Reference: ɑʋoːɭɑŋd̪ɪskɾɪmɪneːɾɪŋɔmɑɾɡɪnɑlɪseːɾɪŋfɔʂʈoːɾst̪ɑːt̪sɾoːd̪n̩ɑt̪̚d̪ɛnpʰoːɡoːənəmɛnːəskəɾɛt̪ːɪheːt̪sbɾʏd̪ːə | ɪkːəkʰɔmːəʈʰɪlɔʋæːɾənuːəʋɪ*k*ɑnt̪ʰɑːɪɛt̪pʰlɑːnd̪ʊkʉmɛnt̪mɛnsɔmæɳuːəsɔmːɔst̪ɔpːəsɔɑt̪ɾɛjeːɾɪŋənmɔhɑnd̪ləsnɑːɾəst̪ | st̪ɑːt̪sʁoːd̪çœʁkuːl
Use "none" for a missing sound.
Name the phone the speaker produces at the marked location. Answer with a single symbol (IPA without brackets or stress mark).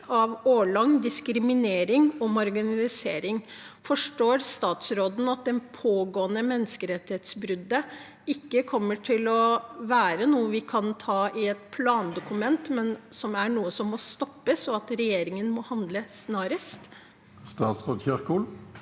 kʰ